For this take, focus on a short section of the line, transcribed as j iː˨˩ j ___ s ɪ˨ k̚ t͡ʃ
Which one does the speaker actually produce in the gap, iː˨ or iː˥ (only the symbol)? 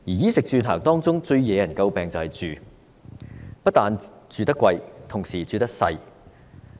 iː˥